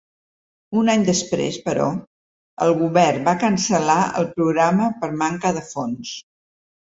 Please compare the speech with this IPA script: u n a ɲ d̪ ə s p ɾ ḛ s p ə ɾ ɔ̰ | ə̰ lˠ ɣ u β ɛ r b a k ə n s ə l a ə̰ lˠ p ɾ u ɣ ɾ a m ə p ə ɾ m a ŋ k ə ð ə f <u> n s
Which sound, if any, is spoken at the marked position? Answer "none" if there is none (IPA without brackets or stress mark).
o